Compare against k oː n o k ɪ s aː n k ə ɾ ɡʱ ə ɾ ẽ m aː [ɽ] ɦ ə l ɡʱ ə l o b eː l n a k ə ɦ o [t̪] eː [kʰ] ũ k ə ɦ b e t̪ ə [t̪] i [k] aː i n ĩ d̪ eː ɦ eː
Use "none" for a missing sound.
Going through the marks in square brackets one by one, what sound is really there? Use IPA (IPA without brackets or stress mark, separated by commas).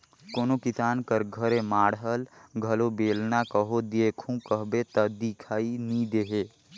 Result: ɽ, d̪, kʰ, d̪, kʰ